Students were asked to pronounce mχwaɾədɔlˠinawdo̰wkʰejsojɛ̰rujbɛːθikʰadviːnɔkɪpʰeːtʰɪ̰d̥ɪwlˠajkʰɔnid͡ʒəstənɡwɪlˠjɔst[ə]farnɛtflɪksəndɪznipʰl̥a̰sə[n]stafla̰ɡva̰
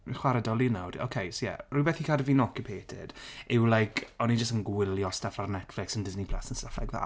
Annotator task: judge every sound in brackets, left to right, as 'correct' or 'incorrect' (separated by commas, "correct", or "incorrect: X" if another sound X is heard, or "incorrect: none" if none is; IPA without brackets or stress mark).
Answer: incorrect: a, correct